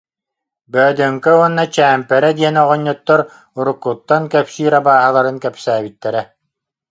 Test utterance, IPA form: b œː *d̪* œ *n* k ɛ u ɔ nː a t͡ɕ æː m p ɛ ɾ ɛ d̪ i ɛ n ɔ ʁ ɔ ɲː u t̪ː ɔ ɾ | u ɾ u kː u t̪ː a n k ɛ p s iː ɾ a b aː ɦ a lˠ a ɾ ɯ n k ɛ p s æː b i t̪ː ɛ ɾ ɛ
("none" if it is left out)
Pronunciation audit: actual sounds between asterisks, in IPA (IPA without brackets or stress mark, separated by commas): d̪, ŋ